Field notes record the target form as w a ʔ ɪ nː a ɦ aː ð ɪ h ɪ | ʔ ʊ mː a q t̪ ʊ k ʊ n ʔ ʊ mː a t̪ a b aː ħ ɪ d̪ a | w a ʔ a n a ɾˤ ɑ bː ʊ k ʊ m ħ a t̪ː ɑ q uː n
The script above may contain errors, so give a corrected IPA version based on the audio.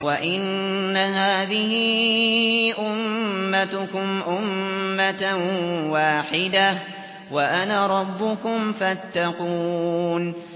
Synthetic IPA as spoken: w a ʔ ɪ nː a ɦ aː ð ɪ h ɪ | ʔ ʊ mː a t̪ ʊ k ʊ m ʔ ʊ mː a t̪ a w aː ħ ɪ d̪ a | w a ʔ a n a ɾˤ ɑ bː ʊ k ʊ m f a t̪ː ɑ q uː n